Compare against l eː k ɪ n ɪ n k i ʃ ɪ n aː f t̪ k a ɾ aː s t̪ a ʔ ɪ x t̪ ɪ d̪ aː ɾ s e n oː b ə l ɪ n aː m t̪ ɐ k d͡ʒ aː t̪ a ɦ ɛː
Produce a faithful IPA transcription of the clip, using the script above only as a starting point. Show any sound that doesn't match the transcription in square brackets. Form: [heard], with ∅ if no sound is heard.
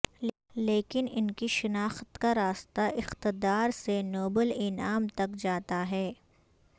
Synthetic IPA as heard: l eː k ɪ n ɪ n k i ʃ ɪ n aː [x] t̪ k a ɾ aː s t̪ a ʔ ɪ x t̪ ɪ d̪ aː ɾ s e n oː b ə l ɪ n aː m t̪ ɐ k d͡ʒ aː t̪ a ɦ ɛː